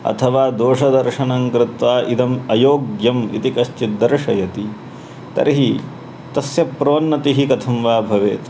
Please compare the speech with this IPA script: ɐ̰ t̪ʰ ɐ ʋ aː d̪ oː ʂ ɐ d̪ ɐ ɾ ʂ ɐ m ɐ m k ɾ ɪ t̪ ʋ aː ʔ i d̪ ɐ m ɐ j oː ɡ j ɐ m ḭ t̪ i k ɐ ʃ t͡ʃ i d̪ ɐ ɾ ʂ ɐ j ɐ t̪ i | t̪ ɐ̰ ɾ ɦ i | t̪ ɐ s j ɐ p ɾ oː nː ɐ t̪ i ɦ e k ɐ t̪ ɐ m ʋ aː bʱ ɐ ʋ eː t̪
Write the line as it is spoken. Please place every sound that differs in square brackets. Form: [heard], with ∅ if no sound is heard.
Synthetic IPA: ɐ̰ t̪ʰ ɐ ʋ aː d̪ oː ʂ ɐ d̪ ɐ ɾ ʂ ɐ [n] ɐ [ŋ] k ɾ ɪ t̪ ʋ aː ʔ i d̪ ɐ m ɐ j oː ɡ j ɐ m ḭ t̪ i k ɐ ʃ t͡ʃ i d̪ ɐ ɾ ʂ ɐ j ɐ t̪ i | t̪ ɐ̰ ɾ ɦ i | t̪ ɐ s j ɐ p ɾ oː nː ɐ t̪ i ɦ [i] k ɐ [t̪ʰ] ɐ m ʋ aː bʱ ɐ ʋ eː t̪